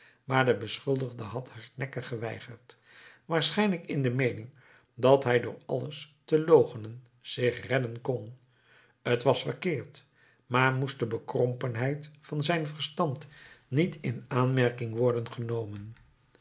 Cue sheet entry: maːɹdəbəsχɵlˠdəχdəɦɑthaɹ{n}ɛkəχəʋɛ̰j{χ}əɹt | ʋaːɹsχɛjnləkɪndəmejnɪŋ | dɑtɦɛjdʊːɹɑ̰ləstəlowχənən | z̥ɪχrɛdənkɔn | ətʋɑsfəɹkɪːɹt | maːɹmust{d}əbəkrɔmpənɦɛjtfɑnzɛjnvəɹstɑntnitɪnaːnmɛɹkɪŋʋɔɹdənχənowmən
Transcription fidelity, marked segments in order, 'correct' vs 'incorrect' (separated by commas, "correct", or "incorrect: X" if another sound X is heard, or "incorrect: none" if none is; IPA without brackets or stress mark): correct, correct, correct